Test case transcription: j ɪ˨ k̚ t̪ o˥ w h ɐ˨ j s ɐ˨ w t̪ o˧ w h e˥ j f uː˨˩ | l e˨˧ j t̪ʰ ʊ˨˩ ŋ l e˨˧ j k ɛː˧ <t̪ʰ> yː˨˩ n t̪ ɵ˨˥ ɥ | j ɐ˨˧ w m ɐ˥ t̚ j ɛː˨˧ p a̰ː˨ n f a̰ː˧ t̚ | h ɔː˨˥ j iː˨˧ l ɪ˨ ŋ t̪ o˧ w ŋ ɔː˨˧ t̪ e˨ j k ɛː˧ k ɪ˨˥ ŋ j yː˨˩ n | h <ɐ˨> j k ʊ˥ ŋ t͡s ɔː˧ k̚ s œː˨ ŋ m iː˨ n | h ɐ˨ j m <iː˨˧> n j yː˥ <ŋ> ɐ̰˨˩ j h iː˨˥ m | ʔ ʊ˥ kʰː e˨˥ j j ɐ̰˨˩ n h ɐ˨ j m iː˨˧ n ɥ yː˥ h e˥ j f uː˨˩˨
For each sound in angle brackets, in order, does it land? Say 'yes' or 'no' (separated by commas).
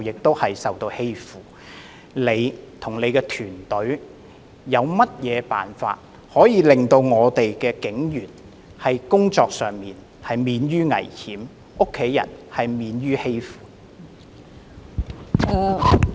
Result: yes, yes, yes, yes